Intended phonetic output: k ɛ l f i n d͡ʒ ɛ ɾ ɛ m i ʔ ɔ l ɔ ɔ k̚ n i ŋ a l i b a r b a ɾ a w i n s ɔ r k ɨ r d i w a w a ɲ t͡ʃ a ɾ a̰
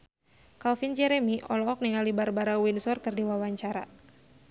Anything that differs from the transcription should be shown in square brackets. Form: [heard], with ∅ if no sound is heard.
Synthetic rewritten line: k [a] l f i n d͡ʒ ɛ ɾ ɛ m i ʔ ɔ l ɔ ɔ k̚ n i ŋ a l i b a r b a ɾ a w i n s ɔ r k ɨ r d i w a w a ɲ t͡ʃ a ɾ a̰